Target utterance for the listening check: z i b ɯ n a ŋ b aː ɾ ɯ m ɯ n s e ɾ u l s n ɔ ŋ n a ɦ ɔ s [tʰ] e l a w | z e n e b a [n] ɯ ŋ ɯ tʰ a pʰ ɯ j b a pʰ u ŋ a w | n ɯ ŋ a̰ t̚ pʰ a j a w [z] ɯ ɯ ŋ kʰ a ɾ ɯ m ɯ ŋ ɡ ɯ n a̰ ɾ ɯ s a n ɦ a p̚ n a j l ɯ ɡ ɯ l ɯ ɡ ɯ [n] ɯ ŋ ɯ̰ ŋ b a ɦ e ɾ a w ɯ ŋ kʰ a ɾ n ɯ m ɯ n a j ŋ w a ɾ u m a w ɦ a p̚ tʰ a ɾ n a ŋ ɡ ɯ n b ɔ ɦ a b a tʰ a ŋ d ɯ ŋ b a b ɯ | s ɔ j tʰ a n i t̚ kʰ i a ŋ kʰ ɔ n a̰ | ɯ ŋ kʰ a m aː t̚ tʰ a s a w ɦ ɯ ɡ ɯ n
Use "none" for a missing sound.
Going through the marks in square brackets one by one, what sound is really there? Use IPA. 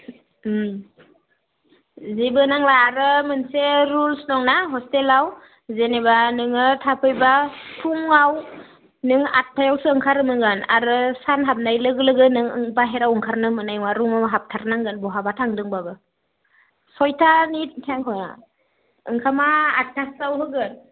t, n, s, n

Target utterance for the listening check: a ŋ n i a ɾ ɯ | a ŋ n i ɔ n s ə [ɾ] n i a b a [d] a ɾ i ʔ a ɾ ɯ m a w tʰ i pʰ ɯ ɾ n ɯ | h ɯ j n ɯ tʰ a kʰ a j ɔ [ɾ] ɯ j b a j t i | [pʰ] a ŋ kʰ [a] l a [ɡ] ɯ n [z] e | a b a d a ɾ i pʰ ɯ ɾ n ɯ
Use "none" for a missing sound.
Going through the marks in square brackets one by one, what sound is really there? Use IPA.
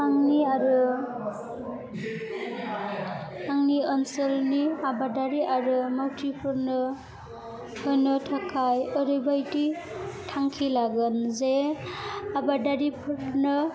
l, d, ɾ, tʰ, i, ɡ, z

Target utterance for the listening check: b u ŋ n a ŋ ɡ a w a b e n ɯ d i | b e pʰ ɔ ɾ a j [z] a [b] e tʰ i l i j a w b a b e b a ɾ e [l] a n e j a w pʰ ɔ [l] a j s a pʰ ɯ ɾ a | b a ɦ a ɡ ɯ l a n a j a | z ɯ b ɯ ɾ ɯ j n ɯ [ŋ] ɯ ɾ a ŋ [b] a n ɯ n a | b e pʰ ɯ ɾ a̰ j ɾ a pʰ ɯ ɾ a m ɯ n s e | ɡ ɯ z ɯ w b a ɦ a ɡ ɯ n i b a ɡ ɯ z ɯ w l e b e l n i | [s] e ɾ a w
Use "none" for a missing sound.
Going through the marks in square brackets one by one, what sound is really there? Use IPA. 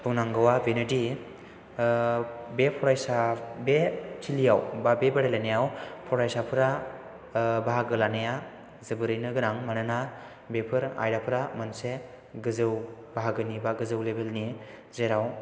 s, b, l, ɾ, ɡ, m, z

